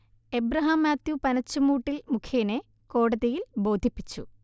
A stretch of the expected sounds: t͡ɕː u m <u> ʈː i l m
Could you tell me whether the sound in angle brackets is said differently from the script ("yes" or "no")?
yes